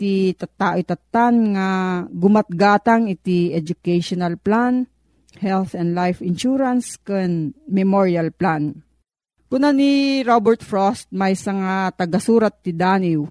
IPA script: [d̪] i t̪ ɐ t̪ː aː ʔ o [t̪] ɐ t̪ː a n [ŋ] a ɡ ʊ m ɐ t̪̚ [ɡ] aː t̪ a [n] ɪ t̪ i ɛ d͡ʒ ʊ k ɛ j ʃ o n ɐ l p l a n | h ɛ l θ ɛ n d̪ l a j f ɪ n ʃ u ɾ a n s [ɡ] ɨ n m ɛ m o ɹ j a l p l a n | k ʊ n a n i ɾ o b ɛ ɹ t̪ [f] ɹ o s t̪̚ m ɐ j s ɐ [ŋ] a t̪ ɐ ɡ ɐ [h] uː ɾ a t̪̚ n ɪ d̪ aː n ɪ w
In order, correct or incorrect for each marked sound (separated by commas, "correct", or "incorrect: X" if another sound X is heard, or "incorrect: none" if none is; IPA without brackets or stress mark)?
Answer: incorrect: t̪, correct, correct, correct, incorrect: ŋ, incorrect: k, correct, correct, incorrect: s